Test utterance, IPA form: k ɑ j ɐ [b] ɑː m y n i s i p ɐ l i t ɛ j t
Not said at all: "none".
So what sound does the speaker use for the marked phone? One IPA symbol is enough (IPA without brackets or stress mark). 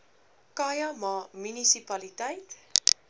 m